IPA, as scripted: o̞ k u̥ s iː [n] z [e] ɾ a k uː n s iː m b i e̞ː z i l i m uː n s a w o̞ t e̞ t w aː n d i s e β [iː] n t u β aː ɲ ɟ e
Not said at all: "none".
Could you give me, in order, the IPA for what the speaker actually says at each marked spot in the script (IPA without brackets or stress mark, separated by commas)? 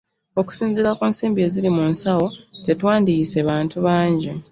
n, i, aː